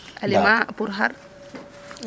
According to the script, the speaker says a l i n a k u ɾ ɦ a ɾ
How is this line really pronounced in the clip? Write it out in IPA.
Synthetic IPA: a l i m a p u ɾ ɦ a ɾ